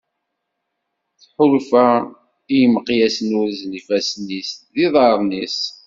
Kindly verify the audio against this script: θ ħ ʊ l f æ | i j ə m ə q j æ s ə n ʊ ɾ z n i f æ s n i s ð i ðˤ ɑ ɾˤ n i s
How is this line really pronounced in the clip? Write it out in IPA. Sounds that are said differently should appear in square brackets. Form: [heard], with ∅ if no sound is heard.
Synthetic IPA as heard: θ ħ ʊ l f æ | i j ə m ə q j æ s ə n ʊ ɾ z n i f æ s n i s ð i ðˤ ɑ ɾˤ n i s

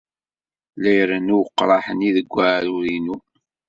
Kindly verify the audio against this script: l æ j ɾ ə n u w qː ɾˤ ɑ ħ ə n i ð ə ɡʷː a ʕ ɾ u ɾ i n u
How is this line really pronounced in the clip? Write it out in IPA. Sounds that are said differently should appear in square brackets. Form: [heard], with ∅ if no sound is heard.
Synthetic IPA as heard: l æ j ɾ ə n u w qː ɾˤ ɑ ħ ə n i ð ə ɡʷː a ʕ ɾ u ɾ i n u

